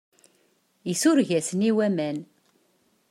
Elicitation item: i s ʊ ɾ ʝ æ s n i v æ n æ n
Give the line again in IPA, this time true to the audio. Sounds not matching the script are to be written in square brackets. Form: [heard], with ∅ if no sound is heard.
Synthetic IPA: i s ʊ ɾ ʝ æ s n i [w] æ [m] æ n